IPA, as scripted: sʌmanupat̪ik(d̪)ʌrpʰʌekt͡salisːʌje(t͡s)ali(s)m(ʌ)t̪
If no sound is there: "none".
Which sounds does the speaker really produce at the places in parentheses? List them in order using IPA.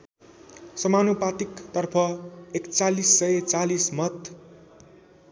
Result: t̪, t͡s, s, ʌ

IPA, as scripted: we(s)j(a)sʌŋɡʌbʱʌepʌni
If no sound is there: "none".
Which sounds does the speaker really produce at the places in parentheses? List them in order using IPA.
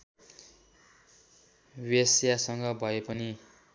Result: s, a

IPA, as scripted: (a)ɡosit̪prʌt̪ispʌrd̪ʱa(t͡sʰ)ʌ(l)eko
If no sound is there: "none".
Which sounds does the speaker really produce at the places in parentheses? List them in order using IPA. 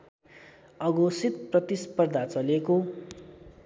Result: ʌ, t͡s, l

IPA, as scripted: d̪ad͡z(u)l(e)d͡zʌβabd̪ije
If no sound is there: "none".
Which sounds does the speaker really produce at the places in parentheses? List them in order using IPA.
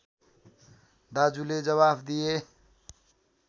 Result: u, e

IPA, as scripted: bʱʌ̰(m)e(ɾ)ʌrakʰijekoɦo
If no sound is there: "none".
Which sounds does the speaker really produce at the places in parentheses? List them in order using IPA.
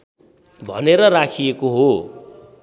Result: n, ɾ

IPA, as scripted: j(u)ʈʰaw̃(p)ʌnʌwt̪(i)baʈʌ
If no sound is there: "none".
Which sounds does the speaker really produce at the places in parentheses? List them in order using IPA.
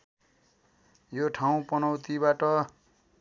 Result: o, p, i

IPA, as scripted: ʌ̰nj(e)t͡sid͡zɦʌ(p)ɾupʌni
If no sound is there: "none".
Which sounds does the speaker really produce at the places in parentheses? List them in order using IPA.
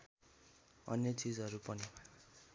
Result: e, none

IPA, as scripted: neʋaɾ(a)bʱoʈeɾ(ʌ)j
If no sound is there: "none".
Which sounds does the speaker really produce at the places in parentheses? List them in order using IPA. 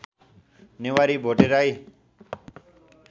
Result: i, a

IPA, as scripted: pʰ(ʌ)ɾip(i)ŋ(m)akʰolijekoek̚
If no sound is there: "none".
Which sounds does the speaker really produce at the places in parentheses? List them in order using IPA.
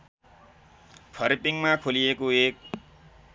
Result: ʌ, i, m

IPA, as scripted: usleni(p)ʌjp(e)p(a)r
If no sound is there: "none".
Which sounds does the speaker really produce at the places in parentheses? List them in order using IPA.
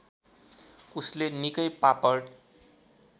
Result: k, a, ʌ

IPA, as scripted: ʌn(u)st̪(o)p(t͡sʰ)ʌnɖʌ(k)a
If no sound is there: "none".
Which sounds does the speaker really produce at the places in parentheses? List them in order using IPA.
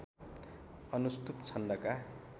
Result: u, u, t͡sʰ, k

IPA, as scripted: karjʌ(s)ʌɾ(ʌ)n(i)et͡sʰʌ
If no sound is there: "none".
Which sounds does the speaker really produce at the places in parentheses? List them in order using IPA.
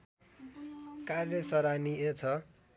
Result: s, a, i

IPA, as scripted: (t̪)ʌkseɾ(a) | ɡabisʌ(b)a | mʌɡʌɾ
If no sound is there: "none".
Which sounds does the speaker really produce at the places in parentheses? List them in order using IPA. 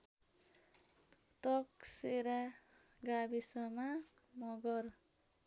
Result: t̪, a, m

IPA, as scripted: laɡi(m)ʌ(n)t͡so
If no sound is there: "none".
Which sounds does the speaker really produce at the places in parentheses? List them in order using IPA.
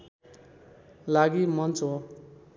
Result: m, n

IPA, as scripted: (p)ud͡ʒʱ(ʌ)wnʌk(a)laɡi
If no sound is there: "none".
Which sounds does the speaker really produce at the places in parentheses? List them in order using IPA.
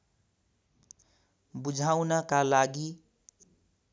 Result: b, a, a

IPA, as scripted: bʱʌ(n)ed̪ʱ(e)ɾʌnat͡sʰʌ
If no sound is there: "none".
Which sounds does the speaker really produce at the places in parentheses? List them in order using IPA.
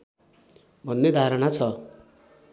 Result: nː, a

